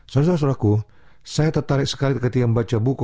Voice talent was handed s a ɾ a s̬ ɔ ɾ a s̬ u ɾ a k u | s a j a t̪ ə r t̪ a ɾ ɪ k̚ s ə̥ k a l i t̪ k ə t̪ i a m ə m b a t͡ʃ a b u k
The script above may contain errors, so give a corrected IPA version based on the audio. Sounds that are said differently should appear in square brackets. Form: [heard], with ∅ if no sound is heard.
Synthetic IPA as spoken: s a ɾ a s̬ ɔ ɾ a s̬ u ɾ a k u | s a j a t̪ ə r t̪ a ɾ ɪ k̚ s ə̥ k a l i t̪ k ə t̪ i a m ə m b a t͡ʃ a b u k